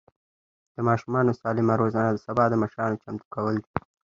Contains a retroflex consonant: no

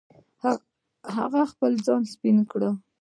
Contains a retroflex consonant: yes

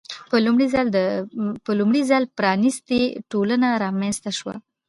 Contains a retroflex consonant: yes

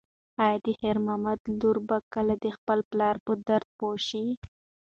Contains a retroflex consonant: no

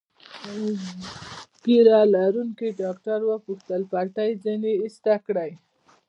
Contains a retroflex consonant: yes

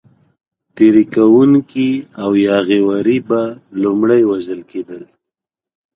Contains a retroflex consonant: yes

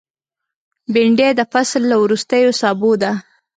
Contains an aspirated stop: no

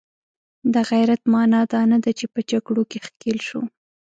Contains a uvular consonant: no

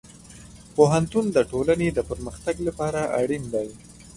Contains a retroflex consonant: yes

